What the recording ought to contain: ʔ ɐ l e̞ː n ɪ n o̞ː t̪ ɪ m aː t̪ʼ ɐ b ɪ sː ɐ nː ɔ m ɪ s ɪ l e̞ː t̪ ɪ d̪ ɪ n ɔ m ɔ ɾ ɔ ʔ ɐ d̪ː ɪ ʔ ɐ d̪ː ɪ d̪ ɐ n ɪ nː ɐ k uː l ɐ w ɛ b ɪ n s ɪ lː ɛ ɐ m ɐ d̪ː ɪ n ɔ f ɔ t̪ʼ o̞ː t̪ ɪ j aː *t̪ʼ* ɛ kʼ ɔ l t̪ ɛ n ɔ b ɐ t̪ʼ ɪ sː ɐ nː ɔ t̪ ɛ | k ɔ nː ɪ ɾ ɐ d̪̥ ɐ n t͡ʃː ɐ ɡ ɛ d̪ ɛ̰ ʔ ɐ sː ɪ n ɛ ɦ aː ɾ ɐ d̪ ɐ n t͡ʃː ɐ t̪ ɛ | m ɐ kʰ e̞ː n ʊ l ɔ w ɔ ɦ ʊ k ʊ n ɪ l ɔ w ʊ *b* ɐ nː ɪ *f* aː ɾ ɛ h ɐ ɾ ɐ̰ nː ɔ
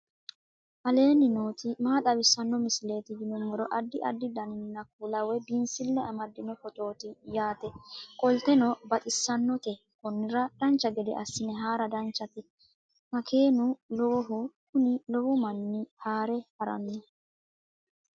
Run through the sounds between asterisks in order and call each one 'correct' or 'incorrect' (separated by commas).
incorrect, incorrect, incorrect